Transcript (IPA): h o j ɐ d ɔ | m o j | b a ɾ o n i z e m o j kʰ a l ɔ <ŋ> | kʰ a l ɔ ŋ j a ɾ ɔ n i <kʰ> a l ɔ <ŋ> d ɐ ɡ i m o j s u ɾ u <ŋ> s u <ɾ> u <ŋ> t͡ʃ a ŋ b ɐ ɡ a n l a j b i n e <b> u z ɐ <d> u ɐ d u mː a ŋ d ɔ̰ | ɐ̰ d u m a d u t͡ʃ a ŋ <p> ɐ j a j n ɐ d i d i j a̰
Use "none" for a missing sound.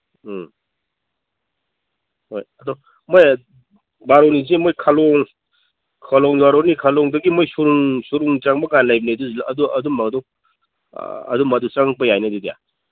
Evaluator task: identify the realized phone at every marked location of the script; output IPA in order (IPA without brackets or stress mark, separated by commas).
ŋ, kʰ, ŋ, ŋ, ɾ, ŋ, d, d, p